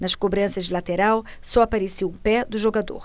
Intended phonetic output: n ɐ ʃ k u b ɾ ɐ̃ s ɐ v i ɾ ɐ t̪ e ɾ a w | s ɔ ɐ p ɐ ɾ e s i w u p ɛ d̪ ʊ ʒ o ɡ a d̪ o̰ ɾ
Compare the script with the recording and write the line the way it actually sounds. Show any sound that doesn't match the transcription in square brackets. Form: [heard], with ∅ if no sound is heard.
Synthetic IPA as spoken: n ɐ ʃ k [o] b ɾ ɐ̃ s ɐ [ʒ] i [l] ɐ t̪ e ɾ a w | s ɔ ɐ p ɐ ɾ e s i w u p ɛ d̪ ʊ ʒ o ɡ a d̪ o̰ ɾ

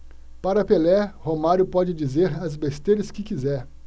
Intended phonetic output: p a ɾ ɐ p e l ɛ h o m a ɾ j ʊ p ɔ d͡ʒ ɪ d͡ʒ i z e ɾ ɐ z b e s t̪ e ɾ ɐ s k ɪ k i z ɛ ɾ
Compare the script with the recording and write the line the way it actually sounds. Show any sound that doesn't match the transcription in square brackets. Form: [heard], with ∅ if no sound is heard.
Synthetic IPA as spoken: p a ɾ ɐ p e l ɛ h o m a ɾ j ʊ p ɔ d͡ʒ ɪ d͡ʒ i z e ɾ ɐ z b e s t̪ e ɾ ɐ s k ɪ k i z ɛ ɾ

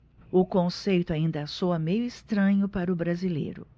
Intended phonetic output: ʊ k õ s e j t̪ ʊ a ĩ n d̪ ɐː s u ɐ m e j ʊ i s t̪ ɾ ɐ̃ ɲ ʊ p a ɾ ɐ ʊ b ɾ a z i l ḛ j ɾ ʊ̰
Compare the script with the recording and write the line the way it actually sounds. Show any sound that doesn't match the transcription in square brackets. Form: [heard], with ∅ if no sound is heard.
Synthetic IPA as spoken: ʊ k õ s e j t̪ ʊ a ĩ n d̪ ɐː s [o] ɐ m e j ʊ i s t̪ ɾ ɐ̃ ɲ ʊ p a ɾ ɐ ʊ b ɾ a z i l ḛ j ɾ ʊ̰

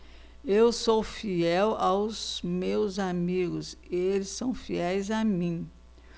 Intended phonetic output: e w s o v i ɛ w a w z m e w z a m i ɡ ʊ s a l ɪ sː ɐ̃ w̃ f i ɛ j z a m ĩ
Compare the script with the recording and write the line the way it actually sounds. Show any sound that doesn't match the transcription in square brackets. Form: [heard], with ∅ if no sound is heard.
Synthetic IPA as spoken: e w s o [f] i ɛ w a w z m e w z a m i ɡ ʊ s [e] l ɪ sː ɐ̃ w̃ f i ɛ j z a m ĩ

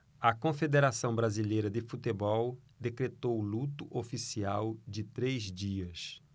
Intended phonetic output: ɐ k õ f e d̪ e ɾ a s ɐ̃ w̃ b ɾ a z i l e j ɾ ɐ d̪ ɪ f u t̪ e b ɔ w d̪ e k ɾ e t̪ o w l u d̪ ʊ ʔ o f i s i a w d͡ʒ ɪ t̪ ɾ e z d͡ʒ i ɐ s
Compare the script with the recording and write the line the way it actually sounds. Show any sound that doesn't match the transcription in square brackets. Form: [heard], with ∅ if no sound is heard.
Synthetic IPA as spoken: ɐ k õ f e d̪ e ɾ a s ɐ̃ w̃ b ɾ a z i l e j ɾ ɐ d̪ ɪ f u t̪ e b ɔ w d̪ e k ɾ e t̪ o w l u [t̪] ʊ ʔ o f i s i a w d͡ʒ ɪ t̪ ɾ e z d͡ʒ i ɐ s

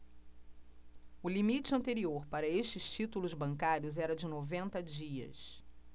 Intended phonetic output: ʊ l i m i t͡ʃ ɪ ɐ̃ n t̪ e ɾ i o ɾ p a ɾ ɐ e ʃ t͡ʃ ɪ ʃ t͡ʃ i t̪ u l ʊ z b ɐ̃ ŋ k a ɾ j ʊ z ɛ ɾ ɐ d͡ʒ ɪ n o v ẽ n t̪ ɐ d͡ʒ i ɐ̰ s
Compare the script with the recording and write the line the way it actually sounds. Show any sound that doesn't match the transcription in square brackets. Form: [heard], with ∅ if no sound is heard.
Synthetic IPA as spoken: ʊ l i m i t͡ʃ ɪ ɐ̃ n t̪ e ɾ i o ɾ p a ɾ ɐ e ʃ t͡ʃ ɪ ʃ t͡ʃ i t̪ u l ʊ z b ɐ̃ ŋ k a ɾ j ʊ z ɛ ɾ ɐ d͡ʒ ɪ n o v ẽ n t̪ ɐ d͡ʒ i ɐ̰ s

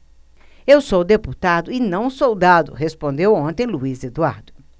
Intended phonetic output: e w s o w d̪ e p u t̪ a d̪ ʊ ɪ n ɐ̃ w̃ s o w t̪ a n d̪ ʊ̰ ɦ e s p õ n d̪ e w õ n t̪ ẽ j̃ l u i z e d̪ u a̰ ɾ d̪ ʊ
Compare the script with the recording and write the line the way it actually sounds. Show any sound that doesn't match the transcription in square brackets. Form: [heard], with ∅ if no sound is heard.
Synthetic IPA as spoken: e w s o w d̪ e p u t̪ a d̪ ʊ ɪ n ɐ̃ w̃ s o w [d̪] a [∅] d̪ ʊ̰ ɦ e s p õ n d̪ e w õ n t̪ ẽ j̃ l u i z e d̪ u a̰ ɾ d̪ ʊ

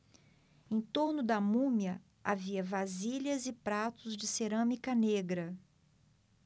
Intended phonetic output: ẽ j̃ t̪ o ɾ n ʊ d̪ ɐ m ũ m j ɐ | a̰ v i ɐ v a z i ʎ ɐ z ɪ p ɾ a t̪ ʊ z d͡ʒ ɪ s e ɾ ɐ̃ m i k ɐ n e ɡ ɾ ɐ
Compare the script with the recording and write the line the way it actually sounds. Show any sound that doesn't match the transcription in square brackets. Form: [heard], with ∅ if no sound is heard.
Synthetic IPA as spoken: ẽ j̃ t̪ o ɾ n ʊ d̪ ɐ m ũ m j ɐ | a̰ v i ɐ v a z i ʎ ɐ z ɪ p ɾ a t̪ ʊ z d͡ʒ ɪ s e ɾ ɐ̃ m i k ɐ n e ɡ ɾ ɐ

